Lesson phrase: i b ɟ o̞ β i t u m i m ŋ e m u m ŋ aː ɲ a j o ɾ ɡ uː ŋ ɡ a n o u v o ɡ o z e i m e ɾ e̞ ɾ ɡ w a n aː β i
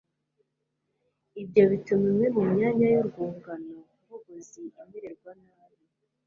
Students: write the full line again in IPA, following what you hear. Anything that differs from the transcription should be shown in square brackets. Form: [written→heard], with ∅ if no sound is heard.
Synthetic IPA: i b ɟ o̞ β i t u m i m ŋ e m u m [ŋ→ɲ] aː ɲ a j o ɾ ɡ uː ŋ ɡ a n o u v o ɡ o z [e→i] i m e ɾ e̞ ɾ ɡ w a n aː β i